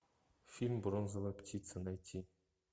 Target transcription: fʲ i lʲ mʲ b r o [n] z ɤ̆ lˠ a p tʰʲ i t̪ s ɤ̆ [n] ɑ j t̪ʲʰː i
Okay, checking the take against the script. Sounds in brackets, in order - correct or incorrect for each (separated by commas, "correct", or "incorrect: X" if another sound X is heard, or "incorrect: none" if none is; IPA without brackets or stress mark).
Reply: correct, correct